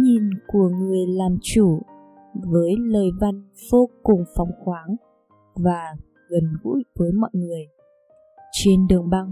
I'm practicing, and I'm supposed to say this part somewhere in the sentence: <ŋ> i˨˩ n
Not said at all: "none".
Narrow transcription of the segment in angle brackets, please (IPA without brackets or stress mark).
ɲ